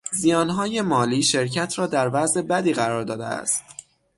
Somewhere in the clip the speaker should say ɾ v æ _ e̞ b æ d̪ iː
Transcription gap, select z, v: z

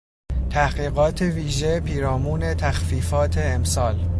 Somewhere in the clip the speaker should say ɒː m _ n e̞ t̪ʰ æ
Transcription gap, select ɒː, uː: uː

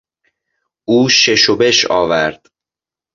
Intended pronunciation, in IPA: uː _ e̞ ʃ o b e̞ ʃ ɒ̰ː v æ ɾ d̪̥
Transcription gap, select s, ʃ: ʃ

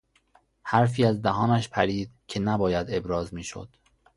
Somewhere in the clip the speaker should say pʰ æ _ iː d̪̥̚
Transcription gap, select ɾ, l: ɾ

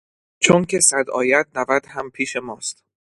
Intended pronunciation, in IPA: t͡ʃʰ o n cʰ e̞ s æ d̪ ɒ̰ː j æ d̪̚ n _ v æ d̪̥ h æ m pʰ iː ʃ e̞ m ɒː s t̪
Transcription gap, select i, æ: æ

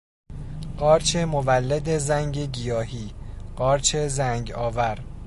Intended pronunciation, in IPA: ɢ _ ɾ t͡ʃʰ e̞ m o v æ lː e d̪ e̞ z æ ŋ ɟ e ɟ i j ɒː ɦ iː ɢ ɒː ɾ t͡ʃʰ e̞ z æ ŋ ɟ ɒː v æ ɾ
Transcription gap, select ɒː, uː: ɒː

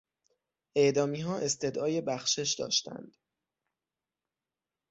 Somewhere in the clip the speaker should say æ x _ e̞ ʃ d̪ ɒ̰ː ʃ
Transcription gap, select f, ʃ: ʃ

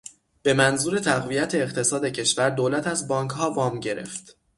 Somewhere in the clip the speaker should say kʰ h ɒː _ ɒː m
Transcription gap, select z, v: v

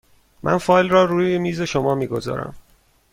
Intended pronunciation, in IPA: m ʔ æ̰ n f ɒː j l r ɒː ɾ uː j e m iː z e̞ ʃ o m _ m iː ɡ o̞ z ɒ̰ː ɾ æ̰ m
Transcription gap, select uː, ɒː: ɒː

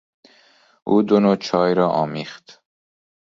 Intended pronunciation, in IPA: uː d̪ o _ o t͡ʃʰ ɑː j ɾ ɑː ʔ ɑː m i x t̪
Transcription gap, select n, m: n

